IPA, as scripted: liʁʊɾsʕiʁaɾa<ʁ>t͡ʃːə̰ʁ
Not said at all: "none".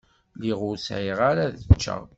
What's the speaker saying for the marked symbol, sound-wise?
ð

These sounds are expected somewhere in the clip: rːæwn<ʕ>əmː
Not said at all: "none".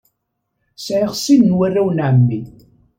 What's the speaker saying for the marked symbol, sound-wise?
ʕ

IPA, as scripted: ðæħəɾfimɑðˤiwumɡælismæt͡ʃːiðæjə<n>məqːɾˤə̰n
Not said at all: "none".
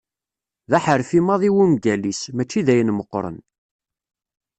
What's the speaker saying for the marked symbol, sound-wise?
n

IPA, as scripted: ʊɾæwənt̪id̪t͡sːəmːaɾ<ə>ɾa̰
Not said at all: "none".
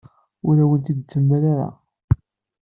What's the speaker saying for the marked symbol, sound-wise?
a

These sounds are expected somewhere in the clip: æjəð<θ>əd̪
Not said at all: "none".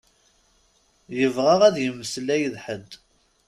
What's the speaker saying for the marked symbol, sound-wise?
ħ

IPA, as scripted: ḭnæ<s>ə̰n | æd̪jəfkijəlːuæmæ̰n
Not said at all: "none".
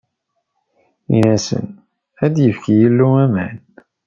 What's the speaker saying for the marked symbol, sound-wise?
s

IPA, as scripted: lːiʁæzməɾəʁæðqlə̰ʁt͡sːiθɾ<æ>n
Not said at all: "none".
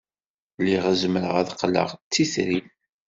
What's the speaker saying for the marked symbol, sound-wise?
i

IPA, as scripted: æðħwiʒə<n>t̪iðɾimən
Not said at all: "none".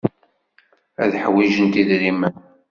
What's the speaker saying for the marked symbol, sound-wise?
n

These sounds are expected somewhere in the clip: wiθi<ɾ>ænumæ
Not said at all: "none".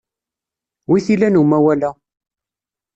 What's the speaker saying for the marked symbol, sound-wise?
l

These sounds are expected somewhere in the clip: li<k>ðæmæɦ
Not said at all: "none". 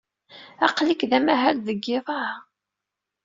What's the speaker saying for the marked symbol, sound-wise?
k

